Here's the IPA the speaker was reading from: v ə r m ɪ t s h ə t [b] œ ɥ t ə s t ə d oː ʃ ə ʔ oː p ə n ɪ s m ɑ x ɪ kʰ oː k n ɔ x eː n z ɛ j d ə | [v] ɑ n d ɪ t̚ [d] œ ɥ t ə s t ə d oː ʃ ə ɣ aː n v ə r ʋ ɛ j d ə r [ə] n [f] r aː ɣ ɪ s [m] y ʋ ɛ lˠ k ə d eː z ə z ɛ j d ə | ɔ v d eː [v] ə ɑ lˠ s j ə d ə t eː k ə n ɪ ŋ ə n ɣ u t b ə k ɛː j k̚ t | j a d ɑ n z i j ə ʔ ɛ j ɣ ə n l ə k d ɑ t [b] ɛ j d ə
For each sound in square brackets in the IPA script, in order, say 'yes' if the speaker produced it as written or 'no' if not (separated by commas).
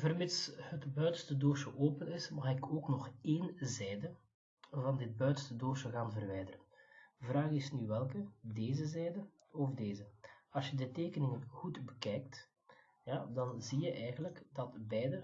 yes, yes, no, yes, no, no, no, yes